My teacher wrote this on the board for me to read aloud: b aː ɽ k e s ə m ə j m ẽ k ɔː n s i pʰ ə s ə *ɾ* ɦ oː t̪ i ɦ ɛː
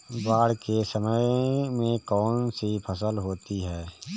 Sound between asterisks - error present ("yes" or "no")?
yes